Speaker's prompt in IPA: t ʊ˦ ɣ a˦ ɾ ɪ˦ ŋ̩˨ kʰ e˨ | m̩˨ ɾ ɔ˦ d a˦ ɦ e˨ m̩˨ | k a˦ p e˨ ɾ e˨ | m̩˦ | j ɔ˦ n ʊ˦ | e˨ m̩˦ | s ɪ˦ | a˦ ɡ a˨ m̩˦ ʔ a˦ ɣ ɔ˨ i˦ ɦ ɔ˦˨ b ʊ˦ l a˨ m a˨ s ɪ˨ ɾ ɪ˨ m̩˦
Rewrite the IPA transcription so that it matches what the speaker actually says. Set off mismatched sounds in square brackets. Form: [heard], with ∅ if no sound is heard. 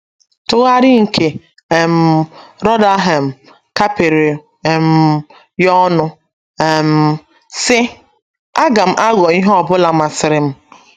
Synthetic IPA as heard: t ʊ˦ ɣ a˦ ɾ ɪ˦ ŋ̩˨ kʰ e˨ | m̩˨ ɾ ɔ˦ d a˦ ɦ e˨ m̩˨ | k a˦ p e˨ ɾ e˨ | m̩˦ | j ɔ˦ n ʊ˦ | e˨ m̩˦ | s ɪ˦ | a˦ ɡ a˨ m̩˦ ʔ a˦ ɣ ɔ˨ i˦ ɦ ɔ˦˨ b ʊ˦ l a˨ m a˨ s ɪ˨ ɾ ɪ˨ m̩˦